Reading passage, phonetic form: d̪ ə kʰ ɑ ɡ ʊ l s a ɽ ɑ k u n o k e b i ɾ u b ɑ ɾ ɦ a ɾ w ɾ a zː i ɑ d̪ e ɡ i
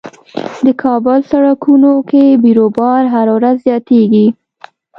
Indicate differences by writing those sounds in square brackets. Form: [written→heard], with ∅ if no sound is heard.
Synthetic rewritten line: d̪ ə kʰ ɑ [ɡ→b] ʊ l s a ɽ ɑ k u n o k e b i ɾ [u→o] b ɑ ɾ ɦ a ɾ w ɾ a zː [i→j] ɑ [d̪→t̪] e ɡ i